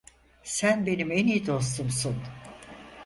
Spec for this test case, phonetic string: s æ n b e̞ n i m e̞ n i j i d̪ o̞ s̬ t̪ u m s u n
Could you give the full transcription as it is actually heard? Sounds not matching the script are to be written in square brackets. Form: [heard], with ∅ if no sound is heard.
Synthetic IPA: s æ n b e̞ n i m e̞ n i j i d̪ o̞ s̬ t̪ u m s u n